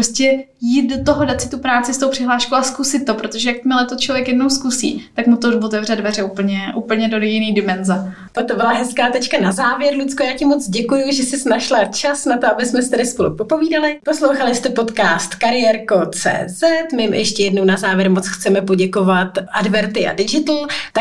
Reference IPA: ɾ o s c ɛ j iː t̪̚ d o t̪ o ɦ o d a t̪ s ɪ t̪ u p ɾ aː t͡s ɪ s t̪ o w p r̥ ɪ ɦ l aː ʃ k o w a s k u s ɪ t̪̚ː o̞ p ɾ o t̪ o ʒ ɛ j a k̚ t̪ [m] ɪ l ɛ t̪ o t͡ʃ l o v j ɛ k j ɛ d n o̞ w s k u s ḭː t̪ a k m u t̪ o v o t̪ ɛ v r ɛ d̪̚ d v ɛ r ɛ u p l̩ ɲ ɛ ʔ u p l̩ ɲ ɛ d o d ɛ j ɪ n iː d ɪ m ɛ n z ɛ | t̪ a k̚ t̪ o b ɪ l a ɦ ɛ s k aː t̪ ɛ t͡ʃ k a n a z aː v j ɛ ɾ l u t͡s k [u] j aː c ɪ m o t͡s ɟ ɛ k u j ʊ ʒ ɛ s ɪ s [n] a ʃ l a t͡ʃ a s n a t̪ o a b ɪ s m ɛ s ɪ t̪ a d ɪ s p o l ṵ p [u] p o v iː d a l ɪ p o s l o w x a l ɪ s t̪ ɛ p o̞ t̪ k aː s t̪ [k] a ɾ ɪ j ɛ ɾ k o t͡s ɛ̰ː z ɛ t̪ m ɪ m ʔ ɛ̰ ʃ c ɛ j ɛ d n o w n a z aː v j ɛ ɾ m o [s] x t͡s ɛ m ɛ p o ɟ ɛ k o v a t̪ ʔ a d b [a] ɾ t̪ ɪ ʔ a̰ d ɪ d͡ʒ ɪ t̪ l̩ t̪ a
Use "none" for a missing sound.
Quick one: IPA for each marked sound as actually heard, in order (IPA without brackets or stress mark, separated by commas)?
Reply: m, o, n, o, k, t͡s, ɛ